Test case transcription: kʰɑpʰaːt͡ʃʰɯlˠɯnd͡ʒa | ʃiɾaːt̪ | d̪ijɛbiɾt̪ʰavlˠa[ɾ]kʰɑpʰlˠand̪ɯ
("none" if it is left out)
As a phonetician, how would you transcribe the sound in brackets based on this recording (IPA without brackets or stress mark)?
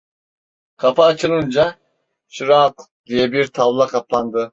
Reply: none